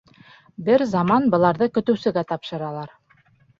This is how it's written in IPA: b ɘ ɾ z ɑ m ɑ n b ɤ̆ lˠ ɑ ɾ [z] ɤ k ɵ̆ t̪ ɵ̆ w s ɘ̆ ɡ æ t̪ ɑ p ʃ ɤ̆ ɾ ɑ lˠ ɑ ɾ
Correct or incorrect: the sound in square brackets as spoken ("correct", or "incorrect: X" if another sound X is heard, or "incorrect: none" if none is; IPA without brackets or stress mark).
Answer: incorrect: ð